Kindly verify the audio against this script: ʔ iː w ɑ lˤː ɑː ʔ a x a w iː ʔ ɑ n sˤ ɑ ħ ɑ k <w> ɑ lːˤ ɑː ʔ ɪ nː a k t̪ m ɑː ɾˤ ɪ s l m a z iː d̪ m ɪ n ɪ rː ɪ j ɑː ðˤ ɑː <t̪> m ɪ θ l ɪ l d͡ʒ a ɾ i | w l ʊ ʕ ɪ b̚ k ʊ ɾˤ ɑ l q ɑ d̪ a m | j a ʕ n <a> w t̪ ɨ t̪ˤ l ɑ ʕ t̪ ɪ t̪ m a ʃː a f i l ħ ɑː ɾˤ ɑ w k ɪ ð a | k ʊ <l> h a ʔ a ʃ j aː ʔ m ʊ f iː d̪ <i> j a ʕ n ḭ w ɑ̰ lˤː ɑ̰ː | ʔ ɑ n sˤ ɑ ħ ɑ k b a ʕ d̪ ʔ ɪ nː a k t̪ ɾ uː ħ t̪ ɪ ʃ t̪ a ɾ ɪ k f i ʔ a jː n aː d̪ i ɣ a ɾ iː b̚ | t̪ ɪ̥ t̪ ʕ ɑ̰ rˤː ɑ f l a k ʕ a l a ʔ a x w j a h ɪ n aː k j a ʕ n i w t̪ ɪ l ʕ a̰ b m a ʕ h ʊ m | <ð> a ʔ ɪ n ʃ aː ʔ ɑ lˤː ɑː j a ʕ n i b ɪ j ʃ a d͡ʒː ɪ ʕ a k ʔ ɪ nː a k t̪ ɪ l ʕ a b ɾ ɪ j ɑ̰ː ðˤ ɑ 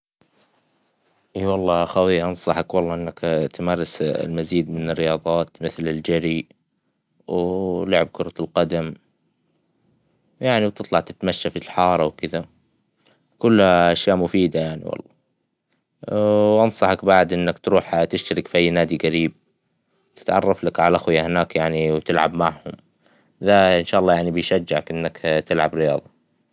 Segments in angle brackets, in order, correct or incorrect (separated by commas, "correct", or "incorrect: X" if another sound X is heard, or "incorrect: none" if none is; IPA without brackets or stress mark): correct, correct, incorrect: i, incorrect: lː, incorrect: a, correct